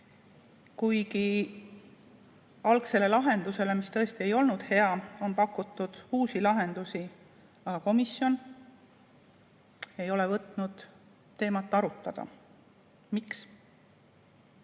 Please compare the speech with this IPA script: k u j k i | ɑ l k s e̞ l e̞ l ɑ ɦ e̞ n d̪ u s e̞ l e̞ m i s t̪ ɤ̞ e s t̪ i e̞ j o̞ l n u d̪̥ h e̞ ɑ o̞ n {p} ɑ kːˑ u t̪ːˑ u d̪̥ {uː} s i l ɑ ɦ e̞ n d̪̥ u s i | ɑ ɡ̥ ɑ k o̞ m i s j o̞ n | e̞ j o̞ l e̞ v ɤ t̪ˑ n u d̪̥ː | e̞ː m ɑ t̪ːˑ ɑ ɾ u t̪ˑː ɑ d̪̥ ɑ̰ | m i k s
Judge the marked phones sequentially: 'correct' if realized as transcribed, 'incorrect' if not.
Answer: correct, correct

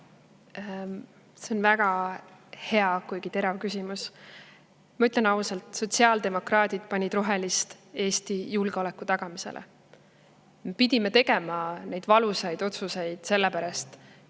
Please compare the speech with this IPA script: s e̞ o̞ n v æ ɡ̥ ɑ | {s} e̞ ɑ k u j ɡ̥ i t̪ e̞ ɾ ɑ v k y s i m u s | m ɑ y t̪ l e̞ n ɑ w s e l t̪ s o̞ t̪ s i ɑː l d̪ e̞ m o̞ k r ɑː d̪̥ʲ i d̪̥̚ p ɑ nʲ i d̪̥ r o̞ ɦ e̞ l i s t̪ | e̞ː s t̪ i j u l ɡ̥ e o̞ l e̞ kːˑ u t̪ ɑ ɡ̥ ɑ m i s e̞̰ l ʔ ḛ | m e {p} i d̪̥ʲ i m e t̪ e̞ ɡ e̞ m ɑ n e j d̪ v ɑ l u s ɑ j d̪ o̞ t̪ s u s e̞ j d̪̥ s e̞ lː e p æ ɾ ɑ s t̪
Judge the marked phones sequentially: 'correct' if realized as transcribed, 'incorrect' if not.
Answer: incorrect, correct

